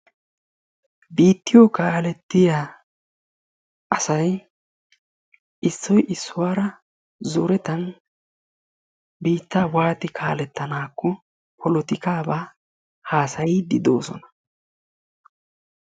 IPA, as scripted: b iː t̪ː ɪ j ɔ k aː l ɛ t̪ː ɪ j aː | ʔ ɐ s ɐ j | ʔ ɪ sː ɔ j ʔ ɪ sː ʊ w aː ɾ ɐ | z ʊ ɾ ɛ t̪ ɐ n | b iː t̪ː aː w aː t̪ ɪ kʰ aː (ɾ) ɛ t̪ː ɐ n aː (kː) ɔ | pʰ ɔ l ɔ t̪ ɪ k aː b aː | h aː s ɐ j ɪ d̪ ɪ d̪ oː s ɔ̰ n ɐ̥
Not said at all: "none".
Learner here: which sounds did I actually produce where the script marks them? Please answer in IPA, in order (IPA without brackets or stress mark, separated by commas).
l, kː